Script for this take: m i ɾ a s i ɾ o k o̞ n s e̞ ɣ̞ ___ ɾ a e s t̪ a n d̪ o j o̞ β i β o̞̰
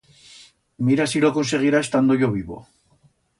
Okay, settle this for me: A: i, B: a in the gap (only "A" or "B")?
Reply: A